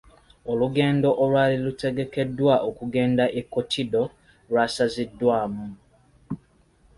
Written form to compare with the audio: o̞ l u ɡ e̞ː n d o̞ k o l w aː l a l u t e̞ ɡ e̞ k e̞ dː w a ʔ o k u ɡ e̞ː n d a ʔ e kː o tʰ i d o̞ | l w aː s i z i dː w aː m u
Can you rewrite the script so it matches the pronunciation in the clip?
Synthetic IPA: o̞ l u ɡ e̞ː n d o̞ ʔ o l w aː l i l u t e̞ ɡ e̞ k e̞ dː w a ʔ o k u ɡ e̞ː n d a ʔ e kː o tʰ i d o̞ | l w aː s a z i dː w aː m u

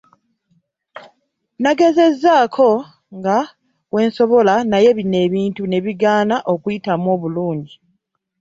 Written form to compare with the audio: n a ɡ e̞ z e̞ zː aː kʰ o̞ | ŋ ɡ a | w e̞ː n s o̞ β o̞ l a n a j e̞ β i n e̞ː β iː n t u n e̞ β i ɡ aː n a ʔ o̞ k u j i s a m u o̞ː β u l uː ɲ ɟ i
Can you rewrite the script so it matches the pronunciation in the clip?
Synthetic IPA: n a ɡ e̞ z e̞ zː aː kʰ o̞ | ŋ ɡ a | w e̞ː n s o̞ β o̞ l a n a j e̞ β i n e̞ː β iː n t u n e̞ β i ɡ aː n a ʔ o̞ k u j i t a m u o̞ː β u l uː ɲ ɟ i

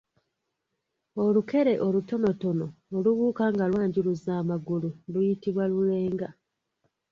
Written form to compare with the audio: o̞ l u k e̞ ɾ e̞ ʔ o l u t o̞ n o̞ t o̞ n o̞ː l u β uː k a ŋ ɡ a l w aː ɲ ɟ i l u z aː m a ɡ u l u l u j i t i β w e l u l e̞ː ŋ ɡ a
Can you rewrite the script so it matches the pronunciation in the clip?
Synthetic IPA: o̞ l u k e̞ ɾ e̞ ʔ o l u t o̞ n o̞ t o̞ n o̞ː l u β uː k a ŋ ɡ a l w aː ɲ ɟ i l u z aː m a ɡ u l u l u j i t i β w a l u l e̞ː ŋ ɡ a

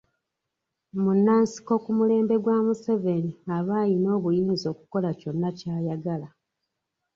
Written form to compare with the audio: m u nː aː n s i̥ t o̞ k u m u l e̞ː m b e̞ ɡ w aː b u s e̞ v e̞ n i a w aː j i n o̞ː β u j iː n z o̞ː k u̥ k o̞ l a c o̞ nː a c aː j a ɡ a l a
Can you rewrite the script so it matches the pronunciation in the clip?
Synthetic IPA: m u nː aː n s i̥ k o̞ k u m u l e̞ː m b e̞ ɡ w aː m u s e̞ v e̞ n i a β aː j i n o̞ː β u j iː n z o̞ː k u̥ k o̞ l a c o̞ nː a c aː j a ɡ a l a

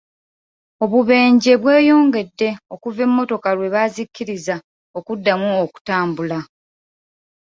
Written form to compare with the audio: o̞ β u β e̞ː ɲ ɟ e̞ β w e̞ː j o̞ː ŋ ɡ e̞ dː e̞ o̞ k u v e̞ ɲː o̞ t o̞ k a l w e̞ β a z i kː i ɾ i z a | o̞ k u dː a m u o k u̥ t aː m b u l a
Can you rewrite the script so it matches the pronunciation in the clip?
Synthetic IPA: o̞ β u β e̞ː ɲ ɟ e̞ β w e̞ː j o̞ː ŋ ɡ e̞ dː e̞ o̞ k u v e̞ mː o̞ t o̞ k a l w e̞ β a z i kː i ɾ i z a | o̞ k u dː a m u o k u̥ t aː m b u l a

